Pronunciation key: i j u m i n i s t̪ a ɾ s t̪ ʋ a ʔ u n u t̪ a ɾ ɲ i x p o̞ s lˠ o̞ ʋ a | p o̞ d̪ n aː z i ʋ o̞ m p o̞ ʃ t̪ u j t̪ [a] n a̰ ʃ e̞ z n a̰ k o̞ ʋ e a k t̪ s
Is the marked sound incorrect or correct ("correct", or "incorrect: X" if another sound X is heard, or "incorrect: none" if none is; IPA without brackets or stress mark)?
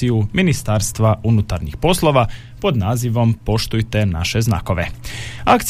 incorrect: e